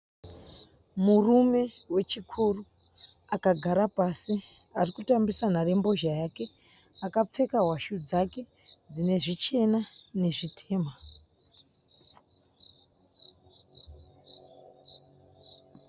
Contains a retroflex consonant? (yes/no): yes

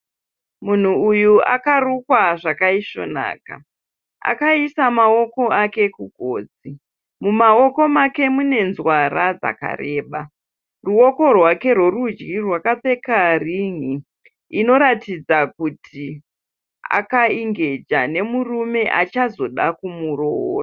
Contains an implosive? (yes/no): yes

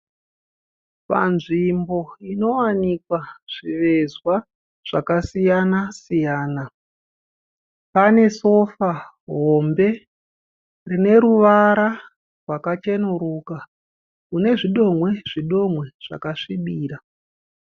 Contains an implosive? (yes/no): yes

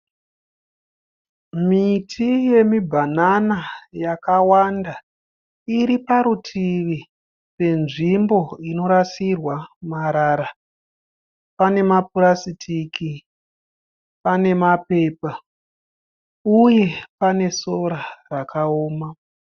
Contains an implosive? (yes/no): no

